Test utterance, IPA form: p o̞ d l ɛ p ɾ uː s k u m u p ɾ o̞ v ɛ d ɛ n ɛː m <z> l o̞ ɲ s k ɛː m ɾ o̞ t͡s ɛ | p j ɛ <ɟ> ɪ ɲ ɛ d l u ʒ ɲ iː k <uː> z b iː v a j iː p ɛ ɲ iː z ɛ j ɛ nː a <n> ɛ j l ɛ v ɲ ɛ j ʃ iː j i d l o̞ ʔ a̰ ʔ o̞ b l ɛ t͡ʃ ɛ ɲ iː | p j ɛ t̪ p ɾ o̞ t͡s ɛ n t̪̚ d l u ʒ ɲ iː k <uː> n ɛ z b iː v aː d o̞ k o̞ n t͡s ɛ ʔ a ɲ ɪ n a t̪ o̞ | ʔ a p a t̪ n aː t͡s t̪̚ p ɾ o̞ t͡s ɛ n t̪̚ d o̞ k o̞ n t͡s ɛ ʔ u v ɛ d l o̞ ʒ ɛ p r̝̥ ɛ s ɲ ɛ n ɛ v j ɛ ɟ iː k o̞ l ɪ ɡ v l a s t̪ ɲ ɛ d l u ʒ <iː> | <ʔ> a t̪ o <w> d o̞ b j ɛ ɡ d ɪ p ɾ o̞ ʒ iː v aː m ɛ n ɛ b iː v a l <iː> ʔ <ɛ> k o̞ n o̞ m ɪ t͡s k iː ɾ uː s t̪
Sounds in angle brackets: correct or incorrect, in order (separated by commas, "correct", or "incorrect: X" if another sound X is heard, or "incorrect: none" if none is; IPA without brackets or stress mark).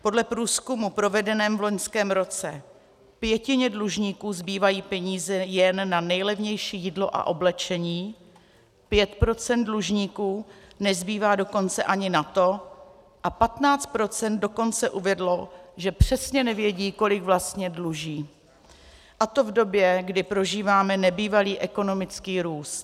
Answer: incorrect: v, incorrect: c, correct, correct, correct, correct, correct, incorrect: v, correct, correct